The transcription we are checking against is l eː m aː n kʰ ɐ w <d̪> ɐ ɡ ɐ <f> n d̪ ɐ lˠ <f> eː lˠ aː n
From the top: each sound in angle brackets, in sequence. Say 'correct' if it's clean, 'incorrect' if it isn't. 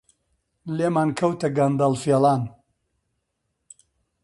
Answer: incorrect: t̪, incorrect: none, correct

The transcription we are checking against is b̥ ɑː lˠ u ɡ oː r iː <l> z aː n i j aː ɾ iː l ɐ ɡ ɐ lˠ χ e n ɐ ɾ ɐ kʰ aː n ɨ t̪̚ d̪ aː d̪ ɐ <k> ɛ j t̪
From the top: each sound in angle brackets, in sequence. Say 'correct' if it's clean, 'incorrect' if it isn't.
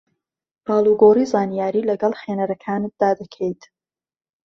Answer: incorrect: none, incorrect: kʰ

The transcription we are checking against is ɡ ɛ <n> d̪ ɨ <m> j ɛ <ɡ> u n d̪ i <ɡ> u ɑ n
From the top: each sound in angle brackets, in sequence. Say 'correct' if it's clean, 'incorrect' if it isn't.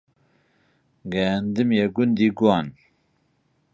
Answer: correct, correct, correct, correct

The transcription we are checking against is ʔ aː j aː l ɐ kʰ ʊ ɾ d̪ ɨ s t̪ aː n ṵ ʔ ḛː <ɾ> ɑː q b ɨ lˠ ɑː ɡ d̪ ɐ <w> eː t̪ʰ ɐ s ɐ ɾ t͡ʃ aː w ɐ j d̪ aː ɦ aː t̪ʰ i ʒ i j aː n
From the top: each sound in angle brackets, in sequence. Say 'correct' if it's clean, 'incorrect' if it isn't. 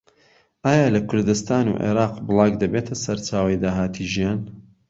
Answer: correct, incorrect: b

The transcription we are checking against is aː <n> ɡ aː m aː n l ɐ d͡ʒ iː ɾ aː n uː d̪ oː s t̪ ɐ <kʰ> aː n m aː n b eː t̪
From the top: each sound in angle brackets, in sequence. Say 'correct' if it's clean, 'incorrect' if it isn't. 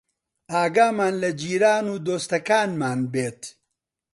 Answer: incorrect: none, incorrect: k

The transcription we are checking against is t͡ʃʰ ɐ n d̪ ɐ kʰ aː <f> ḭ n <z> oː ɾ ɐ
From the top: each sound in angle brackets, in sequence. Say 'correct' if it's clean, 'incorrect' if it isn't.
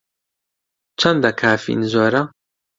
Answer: correct, correct

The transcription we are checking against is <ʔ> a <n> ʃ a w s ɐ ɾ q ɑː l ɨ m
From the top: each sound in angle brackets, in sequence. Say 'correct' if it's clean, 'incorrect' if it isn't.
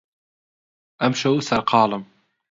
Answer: correct, incorrect: m

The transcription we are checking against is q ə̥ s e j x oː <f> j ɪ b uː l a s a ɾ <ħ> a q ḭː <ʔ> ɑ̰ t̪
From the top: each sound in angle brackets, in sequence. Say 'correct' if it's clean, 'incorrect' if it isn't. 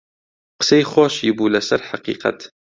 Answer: incorrect: ʃ, correct, incorrect: q

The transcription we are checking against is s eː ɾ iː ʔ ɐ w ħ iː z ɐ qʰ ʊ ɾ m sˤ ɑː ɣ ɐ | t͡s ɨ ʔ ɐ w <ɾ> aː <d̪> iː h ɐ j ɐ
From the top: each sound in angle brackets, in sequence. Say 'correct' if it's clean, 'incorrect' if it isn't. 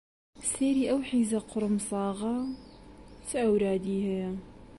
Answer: correct, correct

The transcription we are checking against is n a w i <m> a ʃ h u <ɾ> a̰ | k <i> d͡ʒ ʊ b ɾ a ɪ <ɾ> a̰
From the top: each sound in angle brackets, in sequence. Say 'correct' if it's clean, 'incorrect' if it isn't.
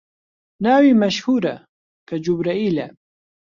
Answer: correct, correct, incorrect: a, incorrect: l

